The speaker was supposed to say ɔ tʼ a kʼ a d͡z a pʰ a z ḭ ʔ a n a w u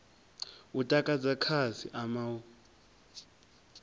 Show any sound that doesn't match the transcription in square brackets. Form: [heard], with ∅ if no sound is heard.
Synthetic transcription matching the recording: [u] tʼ a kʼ a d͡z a [kʰ] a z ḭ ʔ a [m] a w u

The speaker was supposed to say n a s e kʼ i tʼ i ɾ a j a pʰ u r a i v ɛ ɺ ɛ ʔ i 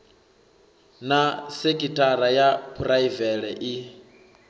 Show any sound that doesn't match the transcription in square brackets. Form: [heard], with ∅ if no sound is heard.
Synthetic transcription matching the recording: n a s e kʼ i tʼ [a] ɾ a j a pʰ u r a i v ɛ ɺ ɛ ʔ i

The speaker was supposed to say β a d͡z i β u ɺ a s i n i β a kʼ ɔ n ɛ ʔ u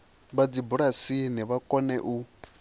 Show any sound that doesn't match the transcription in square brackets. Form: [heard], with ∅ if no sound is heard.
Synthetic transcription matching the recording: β a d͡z i [b] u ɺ a s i n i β a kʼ ɔ n ɛ ʔ u

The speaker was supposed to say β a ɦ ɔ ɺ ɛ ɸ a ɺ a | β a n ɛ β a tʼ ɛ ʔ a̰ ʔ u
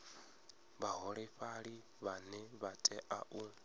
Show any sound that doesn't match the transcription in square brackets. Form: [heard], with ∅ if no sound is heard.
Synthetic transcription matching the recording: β a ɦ ɔ ɺ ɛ ɸ a ɺ [i] | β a n ɛ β a tʼ ɛ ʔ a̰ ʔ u

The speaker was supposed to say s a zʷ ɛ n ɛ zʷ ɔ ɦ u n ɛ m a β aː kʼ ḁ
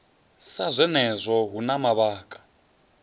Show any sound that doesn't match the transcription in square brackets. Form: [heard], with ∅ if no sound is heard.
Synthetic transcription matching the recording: s a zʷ ɛ n ɛ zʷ ɔ ɦ u n [a] m a β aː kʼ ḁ

